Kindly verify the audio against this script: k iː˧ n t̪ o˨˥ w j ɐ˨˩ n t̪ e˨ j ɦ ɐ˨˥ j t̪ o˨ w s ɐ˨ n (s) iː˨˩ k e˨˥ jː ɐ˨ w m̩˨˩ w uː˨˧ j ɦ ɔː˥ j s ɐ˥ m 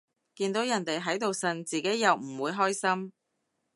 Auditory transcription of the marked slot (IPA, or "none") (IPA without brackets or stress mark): t͡s